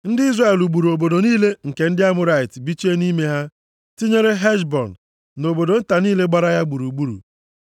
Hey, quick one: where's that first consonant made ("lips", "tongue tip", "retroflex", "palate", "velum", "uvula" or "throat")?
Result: tongue tip